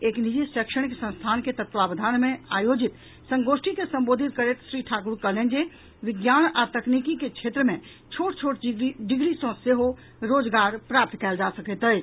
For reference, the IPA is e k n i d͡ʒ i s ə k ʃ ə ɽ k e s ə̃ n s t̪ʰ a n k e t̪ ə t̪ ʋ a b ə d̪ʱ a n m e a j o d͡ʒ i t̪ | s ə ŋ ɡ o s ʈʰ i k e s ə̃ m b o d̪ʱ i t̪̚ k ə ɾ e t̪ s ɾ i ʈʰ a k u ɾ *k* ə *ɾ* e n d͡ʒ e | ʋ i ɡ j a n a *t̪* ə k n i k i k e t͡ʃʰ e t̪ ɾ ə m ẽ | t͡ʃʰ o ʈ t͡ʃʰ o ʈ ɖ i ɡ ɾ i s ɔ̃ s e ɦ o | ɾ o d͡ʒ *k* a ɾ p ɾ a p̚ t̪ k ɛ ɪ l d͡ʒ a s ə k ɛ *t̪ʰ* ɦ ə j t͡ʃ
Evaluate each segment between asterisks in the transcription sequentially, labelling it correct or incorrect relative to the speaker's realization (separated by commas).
correct, incorrect, correct, incorrect, incorrect